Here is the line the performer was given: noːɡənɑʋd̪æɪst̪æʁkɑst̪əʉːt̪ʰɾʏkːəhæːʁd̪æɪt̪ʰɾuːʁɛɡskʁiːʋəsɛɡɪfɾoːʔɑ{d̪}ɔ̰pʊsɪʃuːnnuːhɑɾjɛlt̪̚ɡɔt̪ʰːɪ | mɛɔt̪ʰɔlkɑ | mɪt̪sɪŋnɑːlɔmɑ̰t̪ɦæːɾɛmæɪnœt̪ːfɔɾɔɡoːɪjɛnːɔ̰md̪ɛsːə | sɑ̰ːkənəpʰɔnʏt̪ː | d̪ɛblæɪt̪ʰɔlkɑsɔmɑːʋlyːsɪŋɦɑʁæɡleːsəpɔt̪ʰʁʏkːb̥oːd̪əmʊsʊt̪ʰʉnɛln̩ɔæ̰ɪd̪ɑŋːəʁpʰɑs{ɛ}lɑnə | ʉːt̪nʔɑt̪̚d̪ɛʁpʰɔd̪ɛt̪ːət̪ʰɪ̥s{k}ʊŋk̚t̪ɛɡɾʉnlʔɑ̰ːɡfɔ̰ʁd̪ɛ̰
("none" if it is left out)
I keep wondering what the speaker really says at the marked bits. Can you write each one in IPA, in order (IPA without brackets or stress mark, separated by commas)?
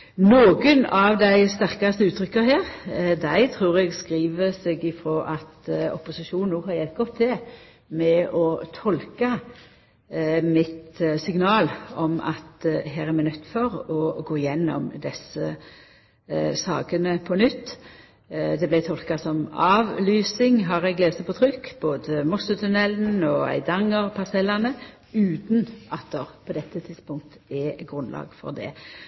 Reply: t̪, ɛ, p